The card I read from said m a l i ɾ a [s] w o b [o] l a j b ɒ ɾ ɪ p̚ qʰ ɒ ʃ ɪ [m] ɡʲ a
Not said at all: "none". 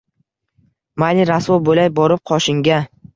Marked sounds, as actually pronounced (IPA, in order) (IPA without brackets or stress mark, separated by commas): s, o, ŋ